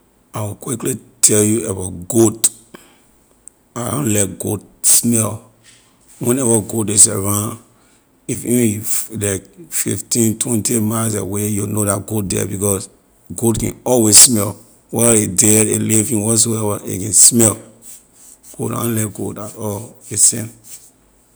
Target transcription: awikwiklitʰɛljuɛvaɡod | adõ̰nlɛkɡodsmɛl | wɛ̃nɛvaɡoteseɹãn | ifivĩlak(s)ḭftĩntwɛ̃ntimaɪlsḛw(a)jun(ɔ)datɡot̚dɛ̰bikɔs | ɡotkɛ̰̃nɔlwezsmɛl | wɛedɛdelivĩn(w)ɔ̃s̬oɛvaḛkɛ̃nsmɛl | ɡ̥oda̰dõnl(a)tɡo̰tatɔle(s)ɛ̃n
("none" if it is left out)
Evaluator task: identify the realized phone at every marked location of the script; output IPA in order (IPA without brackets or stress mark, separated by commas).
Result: f, e, o, w, ɛ, s